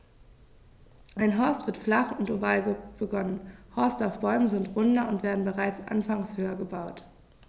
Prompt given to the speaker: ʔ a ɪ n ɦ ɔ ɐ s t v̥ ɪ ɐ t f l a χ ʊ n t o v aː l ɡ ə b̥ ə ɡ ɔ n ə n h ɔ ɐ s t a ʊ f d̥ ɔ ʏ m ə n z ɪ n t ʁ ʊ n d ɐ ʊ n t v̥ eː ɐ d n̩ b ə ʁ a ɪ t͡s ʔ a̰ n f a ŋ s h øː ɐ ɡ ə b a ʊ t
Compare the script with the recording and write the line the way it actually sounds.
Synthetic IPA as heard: ʔ a ɪ n ɦ ɔ ɐ s t v̥ ɪ ɐ t f l a χ ʊ n t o v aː l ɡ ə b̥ ə ɡ ɔ n ə n h ɔ ɐ s t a ʊ f b̥ ɔ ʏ m ə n z ɪ n t ʁ ʊ n d ɐ ʊ n t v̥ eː ɐ d n̩ b ə ʁ a ɪ t͡s ʔ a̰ n f a ŋ s h øː ɐ ɡ ə b a ʊ t